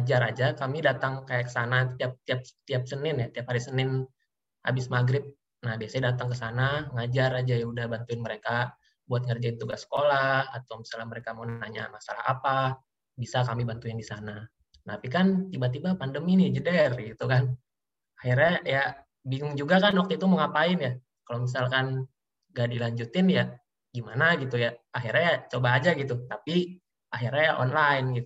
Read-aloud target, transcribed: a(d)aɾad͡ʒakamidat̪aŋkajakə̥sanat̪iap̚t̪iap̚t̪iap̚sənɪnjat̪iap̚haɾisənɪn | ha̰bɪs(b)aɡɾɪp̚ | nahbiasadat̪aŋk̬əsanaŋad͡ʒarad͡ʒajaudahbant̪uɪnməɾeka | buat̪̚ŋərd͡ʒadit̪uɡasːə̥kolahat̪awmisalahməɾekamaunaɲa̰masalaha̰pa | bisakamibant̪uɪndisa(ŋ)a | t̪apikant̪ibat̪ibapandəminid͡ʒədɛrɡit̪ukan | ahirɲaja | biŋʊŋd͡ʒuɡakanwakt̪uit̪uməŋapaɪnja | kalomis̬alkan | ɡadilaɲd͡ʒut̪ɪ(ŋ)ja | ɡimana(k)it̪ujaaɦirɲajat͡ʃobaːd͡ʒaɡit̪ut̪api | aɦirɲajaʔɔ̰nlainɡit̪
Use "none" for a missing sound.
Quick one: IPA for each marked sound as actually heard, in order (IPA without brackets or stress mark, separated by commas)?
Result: d͡ʒ, m, n, n, ɡ